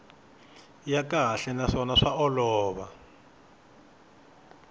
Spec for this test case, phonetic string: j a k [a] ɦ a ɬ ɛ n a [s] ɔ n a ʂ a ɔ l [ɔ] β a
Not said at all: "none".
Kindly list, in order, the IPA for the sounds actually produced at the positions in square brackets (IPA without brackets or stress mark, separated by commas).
a, ʂ, ɔː